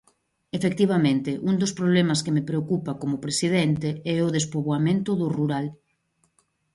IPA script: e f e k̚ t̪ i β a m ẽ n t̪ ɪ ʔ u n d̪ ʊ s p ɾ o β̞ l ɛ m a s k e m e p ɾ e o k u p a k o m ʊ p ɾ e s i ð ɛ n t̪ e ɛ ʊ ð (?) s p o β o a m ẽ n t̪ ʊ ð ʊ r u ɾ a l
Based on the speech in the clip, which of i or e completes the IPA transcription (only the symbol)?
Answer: e